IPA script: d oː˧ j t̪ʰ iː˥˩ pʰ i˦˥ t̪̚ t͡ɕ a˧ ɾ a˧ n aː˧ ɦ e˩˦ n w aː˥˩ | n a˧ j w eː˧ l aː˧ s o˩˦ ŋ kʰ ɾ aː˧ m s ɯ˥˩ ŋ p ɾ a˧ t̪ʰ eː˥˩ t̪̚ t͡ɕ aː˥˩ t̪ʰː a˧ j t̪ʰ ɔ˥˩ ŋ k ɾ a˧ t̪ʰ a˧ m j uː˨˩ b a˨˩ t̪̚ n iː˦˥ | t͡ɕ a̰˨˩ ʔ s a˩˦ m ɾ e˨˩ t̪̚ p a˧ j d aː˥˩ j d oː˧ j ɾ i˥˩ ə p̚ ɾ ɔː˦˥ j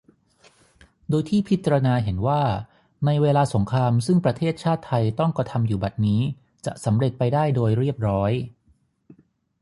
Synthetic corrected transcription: d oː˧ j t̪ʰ iː˥˩ pʰ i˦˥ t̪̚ t͡ɕ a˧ ɾ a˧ n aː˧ ɦ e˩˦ n w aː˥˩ | n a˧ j w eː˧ l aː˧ s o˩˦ ŋ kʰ ɾ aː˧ m s ɯ˥˩ ŋ p ɾ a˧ t̪ʰ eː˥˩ t̪̚ t͡ɕʰ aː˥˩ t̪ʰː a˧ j t̪ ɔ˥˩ ŋ k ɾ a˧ t̪ʰ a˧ m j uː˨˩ b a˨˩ t̪̚ n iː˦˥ | t͡ɕ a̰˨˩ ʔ s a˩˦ m ɾ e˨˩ t̪̚ p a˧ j d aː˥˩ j d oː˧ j ɾ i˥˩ ə p̚ ɾ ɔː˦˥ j